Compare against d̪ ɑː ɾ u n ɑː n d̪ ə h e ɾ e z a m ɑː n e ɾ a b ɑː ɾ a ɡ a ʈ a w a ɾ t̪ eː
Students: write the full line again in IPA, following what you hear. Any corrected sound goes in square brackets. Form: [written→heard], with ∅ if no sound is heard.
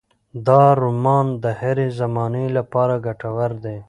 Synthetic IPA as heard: d̪ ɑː ɾ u [n→m] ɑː n d̪ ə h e ɾ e z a m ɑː n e [ɾ→l] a [b→p] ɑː ɾ a ɡ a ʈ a w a ɾ [t̪→d̪] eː

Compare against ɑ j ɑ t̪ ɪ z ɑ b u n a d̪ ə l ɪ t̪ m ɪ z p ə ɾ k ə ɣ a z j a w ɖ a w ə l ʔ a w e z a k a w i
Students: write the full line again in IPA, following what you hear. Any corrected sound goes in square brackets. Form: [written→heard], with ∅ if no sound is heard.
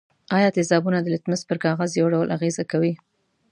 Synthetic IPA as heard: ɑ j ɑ t̪ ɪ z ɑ b u n a d̪ ə l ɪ t̪ m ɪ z p ə ɾ k [ə→ɑ] ɣ a z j a w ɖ a w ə l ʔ a [w→ɣ] e z a k a w i

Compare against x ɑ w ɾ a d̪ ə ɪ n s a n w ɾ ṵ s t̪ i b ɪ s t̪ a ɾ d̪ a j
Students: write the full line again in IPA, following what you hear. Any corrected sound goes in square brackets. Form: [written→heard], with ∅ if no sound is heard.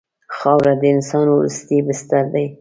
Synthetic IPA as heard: x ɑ w ɾ a d̪ ə ɪ n s [a→ɑ] n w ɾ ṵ s t̪ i b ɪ s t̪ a ɾ d̪ a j

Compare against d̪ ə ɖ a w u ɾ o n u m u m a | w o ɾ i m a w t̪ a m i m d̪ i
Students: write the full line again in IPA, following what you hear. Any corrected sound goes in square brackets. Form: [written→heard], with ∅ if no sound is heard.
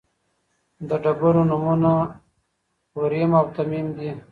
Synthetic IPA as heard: d̪ ə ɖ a [w→b] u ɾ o n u m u [m→n] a | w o ɾ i m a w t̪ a m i m d̪ i

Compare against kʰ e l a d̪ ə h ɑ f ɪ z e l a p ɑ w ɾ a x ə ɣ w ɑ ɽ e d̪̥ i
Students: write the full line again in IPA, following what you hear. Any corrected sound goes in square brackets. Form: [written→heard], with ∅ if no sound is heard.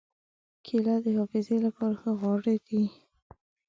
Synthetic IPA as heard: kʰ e l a d̪ ə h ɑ f ɪ z e l a p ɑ [w→∅] ɾ a x ə ɣ w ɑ ɽ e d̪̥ i

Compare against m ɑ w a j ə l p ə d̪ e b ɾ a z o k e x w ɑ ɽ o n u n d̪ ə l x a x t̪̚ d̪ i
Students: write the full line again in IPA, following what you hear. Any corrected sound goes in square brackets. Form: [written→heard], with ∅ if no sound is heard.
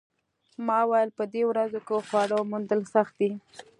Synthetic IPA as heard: m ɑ w a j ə l p ə d̪ e [b→w] ɾ a z o k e x w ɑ ɽ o [n→m] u n d̪ ə l [x→s] a x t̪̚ d̪ i

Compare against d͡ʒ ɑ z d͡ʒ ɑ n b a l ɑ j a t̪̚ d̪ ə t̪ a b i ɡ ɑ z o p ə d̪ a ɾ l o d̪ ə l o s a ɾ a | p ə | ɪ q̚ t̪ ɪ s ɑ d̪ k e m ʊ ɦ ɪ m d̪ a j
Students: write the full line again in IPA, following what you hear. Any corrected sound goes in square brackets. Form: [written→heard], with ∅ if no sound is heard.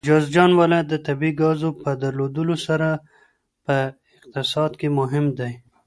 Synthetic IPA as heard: d͡ʒ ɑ z d͡ʒ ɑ n [b→w] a l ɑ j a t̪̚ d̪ ə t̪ a b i ɡ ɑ z o p ə d̪ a ɾ l o d̪ ə l o s a ɾ a | p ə | ɪ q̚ t̪ ɪ s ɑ d̪ k e m ʊ ɦ ɪ m d̪ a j

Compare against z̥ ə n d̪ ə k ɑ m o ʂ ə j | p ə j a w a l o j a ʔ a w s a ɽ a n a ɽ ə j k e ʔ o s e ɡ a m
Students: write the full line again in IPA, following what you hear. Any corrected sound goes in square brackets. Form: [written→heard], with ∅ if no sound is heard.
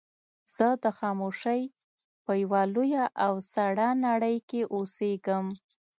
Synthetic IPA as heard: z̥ ə [n→∅] d̪ ə [k→x] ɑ m o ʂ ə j | p ə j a w a l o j a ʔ a w s a ɽ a n a ɽ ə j k e ʔ o s e ɡ [a→ə] m

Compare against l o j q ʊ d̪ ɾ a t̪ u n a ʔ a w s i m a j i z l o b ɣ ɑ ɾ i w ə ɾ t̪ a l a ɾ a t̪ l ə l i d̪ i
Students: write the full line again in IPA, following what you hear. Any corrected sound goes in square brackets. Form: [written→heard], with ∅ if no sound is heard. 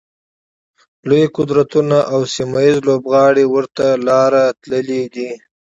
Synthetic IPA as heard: l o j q ʊ d̪ ɾ a t̪ u n a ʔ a w s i m a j i z l o b ɣ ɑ [ɾ→ɽ] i w ə ɾ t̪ a l [a→ɑ] ɾ a t̪ l ə l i d̪ i

